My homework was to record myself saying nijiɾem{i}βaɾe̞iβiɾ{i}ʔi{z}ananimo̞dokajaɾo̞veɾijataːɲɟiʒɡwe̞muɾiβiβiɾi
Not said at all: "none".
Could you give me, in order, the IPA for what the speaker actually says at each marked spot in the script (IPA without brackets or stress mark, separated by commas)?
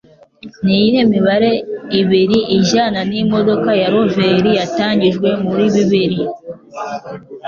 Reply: i, i, ʒ